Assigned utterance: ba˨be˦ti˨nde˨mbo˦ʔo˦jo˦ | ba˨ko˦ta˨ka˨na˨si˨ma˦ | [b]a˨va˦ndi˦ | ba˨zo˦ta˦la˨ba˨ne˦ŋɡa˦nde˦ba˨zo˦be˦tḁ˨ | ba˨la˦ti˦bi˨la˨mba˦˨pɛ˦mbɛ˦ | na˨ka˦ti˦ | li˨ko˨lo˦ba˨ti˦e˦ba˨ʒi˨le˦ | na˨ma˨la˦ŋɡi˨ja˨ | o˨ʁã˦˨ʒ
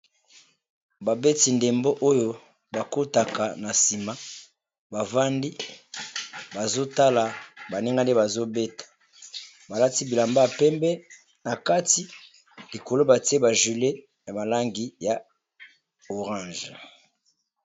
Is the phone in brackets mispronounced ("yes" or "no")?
no